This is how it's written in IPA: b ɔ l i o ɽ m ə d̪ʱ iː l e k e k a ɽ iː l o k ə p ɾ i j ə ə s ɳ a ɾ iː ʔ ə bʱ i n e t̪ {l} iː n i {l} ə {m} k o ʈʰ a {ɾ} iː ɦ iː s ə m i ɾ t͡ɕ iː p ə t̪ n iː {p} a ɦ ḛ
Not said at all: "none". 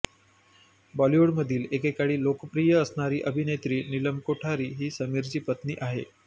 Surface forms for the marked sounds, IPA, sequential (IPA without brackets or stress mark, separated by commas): ɾ, l, m, ɾ, ʔ